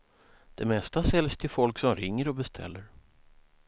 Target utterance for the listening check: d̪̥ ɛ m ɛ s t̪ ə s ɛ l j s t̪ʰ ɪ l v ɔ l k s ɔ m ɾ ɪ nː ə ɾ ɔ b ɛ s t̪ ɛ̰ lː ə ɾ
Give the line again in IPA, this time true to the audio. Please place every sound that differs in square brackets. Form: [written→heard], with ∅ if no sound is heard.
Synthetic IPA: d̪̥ ɛ m ɛ s t̪ [ə→a] s ɛ l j s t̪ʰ ɪ l [v→f] ɔ l k s ɔ m ɾ ɪ [nː→ŋː] ə ɾ ɔ b ɛ s [t̪→t̪ʰ] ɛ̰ lː ə ɾ